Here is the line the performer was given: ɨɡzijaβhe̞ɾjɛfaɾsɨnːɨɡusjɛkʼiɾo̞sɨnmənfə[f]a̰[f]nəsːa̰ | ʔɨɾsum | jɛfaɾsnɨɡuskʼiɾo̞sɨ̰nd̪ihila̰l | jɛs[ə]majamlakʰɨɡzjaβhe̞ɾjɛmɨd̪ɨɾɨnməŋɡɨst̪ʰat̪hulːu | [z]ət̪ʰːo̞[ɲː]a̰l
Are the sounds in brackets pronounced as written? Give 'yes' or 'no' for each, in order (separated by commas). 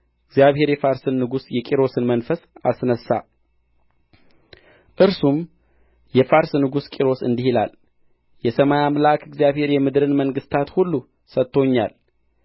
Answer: no, no, yes, no, yes